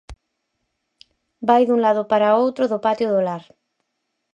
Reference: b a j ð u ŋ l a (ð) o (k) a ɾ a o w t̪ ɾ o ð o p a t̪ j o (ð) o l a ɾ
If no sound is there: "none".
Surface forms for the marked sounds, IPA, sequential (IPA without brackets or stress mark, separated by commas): ð, p, ð